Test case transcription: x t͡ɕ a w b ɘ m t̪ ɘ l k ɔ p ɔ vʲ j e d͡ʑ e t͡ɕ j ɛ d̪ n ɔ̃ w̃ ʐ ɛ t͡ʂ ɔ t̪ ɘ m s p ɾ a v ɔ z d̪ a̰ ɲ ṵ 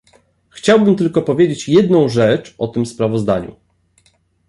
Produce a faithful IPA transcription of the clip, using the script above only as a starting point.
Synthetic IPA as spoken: x t͡ɕ a w b ɘ m t̪ ɘ l k ɔ p ɔ vʲ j e d͡ʑ e t͡ɕ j ɛ d̪ n ɔ̃ w̃ ʐ ɛ t͡ʂ ɔ t̪ ɘ m s p ɾ a v ɔ z d̪ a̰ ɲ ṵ